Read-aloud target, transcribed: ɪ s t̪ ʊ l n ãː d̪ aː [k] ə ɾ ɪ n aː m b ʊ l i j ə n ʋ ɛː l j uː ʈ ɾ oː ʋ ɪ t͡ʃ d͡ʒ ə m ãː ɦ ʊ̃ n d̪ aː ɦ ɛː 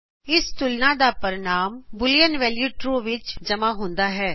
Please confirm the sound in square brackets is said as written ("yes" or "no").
no